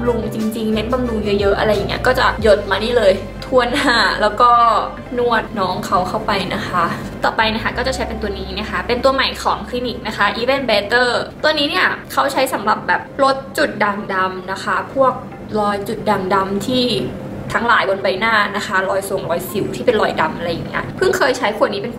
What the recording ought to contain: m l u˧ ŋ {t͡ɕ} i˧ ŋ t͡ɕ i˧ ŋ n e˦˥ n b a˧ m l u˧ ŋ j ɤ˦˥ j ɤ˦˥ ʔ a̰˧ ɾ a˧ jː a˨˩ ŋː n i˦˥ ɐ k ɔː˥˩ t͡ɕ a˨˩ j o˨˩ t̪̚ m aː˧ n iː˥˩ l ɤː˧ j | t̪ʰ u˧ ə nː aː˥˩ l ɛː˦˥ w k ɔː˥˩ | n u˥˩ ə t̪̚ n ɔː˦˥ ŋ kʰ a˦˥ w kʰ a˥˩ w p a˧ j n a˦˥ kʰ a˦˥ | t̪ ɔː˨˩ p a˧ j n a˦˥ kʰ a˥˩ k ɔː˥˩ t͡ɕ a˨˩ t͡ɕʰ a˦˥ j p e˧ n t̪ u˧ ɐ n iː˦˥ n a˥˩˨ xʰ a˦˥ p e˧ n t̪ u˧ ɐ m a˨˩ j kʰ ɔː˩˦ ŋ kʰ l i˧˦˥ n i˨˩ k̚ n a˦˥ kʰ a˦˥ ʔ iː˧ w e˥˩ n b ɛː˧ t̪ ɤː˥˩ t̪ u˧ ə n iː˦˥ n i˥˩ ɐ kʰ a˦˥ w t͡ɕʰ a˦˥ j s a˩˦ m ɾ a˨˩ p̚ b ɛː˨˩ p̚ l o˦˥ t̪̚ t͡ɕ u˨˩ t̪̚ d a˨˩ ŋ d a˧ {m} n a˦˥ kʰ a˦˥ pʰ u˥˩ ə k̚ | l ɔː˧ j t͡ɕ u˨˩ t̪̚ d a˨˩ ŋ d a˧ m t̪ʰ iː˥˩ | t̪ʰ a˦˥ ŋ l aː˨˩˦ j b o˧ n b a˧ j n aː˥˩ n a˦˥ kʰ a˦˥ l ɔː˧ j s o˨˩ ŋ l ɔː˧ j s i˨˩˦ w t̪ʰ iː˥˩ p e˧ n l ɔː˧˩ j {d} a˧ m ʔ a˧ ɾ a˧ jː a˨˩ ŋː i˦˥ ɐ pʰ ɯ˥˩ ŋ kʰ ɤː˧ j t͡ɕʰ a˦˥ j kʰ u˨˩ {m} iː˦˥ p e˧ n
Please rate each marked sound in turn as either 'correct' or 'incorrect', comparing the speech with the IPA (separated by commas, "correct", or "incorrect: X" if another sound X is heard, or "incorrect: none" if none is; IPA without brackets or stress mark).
correct, correct, correct, incorrect: n